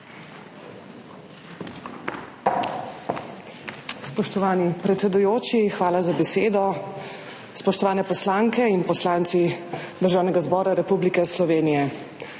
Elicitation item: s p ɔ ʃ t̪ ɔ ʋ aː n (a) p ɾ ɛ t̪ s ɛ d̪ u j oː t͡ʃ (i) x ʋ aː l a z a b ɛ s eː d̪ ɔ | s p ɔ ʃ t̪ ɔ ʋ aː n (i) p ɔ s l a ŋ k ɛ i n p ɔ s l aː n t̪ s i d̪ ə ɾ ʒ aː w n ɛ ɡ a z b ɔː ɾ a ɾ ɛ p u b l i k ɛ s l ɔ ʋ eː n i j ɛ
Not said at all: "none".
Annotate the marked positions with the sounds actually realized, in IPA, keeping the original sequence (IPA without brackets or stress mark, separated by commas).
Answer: i, i, ɛ